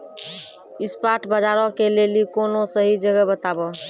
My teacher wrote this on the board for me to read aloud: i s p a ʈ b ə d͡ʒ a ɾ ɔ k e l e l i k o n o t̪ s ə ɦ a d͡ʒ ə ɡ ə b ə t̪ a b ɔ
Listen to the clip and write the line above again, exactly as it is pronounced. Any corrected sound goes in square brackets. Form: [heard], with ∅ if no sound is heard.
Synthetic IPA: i s p a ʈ b ə d͡ʒ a ɾ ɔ k e l e l i k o n o [∅] s ə ɦ [i] d͡ʒ ə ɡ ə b ə t̪ a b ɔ